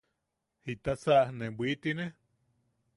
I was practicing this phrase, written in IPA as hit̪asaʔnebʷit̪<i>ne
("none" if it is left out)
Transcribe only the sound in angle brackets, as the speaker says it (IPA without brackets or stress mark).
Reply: i